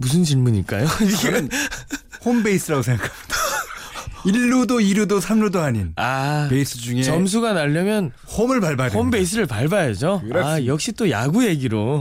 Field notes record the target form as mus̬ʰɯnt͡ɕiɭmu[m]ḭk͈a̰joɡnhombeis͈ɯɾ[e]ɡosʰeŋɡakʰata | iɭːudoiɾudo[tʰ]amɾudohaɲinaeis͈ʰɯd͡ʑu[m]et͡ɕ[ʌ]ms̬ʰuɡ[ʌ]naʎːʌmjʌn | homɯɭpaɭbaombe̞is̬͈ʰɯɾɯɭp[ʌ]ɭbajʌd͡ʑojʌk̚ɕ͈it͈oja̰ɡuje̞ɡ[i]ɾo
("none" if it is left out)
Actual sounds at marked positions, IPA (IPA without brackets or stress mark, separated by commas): ɲ, a, sʰ, ŋ, ʌ, a, a, i